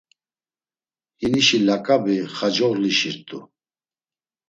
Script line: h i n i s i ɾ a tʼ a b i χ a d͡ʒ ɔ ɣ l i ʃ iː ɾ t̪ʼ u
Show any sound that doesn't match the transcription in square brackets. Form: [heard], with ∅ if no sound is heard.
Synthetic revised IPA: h i n i [ʃ] i [l] a [kʼ] a b i χ a d͡ʒ ɔ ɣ l i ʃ [i] ɾ t̪ʼ u